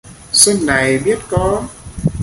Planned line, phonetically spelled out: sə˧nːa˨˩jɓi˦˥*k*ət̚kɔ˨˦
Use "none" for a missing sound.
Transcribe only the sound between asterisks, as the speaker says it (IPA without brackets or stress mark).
none